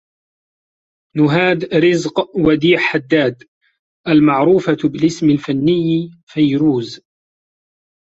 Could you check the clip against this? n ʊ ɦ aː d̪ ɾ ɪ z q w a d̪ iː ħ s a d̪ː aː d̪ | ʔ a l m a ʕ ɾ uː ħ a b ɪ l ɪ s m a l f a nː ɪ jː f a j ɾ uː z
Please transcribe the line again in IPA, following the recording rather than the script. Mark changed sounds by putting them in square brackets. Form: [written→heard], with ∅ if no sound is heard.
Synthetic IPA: n ʊ ɦ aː d̪ ɾ ɪ z q w a d̪ iː ħ [s→ħ] a d̪ː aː d̪ | ʔ a l m a ʕ ɾ uː [ħ→f] a b ɪ l ɪ s m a l f a nː ɪ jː f a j ɾ uː z